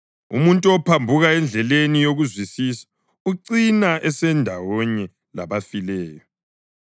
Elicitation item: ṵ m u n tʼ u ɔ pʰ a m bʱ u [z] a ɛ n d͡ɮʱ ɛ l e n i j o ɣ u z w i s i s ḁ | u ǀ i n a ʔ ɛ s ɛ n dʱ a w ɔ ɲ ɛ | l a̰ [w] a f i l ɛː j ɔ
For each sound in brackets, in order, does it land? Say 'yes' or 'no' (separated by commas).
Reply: no, no